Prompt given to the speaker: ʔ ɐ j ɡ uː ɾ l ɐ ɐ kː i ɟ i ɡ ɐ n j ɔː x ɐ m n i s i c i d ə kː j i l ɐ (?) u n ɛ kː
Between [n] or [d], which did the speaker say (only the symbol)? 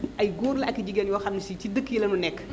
n